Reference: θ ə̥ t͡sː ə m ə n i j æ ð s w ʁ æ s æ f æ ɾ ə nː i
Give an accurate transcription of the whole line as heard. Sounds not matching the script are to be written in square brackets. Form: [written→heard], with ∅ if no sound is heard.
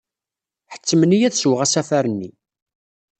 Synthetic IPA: [θ→ħ] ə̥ t͡sː ə m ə n i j æ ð s w ʁ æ s æ f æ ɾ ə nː i

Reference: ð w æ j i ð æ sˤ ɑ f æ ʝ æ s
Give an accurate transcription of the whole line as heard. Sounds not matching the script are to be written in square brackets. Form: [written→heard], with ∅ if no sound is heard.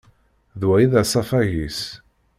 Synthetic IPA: ð w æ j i ð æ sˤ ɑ f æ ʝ [æ→i] s

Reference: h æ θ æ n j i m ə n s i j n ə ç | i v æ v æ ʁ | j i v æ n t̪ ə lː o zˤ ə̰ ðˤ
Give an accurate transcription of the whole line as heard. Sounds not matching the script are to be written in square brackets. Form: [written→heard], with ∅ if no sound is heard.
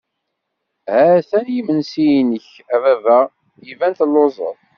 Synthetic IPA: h æ θ æ n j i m ə n s i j n ə ç | [i→æ] v æ v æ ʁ | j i v æ n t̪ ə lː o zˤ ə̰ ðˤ

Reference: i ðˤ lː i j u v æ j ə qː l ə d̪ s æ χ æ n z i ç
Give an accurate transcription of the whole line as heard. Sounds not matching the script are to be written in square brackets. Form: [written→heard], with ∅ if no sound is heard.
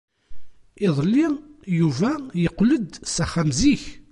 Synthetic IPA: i ðˤ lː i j u v æ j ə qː l ə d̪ s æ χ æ [n→m] z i ç

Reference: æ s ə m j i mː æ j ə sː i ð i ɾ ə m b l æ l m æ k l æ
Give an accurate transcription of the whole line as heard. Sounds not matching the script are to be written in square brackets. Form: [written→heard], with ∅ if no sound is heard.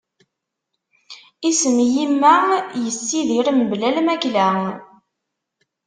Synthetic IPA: [æ→i] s ə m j i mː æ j ə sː i ð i ɾ ə m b l æ l m æ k l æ

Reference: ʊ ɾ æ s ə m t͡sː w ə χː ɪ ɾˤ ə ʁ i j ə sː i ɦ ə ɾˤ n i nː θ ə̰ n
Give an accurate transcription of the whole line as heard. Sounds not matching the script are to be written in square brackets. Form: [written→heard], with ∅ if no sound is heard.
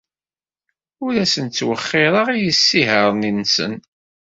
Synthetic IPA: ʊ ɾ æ s ə [m→n] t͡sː w ə χː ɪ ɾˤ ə ʁ i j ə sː i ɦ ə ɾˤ n i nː [θ→s] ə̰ n

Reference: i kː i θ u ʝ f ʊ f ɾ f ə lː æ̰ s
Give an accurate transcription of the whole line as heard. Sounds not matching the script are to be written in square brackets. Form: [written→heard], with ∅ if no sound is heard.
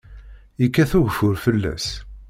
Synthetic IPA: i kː [i→æ] θ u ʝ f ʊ [f→∅] ɾ f ə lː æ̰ s

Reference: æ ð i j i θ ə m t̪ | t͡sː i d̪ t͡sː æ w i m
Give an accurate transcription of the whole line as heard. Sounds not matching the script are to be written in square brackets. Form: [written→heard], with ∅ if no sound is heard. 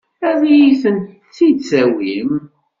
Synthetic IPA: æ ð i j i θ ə [m→n] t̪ | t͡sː i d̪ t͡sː æ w i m

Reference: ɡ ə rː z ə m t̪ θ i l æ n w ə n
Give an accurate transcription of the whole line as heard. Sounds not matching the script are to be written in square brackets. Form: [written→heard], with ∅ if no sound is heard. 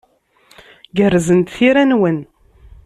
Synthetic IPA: ɡ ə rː z ə [m→n] t̪ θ i [l→ɾ] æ n w ə n

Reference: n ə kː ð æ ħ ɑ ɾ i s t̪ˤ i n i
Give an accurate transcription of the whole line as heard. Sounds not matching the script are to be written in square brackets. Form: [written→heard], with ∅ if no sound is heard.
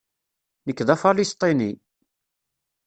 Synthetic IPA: n ə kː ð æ [ħ→f] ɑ [ɾ→l] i s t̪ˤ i n i

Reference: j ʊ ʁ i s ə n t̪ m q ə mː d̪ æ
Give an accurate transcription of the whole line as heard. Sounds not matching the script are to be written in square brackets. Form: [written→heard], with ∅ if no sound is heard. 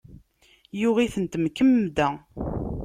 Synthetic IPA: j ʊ ʁ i [s→θ] ə n t̪ m [q→k] ə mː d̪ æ

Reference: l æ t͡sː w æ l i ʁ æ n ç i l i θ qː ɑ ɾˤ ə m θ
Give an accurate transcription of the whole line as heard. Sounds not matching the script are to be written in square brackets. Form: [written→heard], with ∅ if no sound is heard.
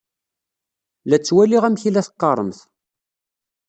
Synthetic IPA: l æ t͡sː w æ l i ʁ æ [n→m] ç i l [i→æ] θ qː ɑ ɾˤ ə m θ

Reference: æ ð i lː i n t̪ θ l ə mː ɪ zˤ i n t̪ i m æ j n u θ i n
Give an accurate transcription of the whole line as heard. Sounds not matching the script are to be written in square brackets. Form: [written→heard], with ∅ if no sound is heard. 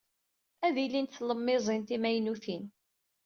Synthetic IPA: æ ð i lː i n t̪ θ l ə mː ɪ zˤ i n t̪ i m æ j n u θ i n

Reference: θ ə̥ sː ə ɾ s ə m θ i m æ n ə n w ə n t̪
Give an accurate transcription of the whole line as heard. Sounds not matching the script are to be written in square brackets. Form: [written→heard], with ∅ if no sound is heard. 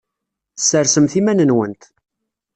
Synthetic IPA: θ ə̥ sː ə ɾ s ə m θ i m æ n ə n w ə n t̪

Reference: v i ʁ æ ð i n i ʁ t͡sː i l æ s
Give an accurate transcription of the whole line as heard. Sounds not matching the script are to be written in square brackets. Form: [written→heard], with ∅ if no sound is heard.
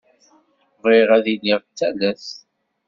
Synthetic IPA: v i ʁ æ ð i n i ʁ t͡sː [i→æ] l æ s

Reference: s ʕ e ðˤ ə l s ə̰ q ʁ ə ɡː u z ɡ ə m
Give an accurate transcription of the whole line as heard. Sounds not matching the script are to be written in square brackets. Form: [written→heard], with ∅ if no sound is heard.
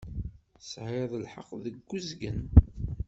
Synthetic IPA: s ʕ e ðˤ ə l [s→ħ] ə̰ q [ʁ→ð] ə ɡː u z ɡ ə [m→n]

